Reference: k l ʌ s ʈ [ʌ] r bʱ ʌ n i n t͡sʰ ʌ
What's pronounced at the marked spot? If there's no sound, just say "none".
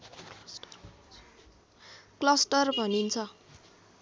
ʌ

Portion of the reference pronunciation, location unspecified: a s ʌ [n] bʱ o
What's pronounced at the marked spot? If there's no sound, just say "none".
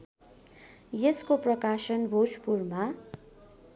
n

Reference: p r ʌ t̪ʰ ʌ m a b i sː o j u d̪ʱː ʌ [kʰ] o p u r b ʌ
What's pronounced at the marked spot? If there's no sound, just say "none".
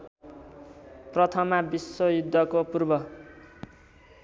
k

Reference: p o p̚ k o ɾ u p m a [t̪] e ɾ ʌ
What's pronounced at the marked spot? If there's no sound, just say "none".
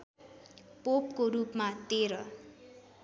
t̪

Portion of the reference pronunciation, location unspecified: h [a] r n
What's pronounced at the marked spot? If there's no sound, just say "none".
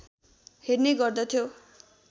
e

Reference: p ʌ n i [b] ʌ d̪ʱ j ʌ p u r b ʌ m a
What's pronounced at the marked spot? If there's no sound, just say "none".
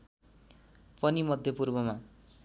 m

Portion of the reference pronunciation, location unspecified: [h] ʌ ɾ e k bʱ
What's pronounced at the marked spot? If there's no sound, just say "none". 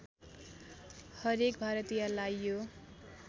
h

